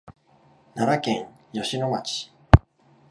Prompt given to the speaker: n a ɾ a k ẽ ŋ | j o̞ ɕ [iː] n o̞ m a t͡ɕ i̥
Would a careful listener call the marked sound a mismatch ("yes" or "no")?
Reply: yes